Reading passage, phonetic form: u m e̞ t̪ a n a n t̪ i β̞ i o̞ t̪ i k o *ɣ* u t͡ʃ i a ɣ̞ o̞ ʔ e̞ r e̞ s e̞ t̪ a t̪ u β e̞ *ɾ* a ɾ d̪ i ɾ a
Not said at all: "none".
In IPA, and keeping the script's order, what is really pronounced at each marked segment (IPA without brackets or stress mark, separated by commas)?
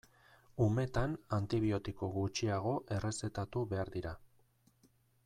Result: ɣ, none